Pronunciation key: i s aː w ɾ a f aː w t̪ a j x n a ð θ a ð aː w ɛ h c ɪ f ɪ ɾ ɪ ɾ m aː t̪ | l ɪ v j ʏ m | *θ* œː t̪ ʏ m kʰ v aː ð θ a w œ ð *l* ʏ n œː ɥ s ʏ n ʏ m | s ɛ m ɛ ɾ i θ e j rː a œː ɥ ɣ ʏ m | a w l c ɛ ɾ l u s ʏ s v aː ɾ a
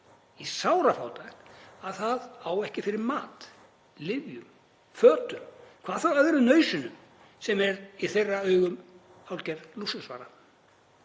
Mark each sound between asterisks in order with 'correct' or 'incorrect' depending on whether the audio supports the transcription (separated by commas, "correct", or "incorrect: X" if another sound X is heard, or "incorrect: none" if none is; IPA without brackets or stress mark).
incorrect: f, incorrect: ɾ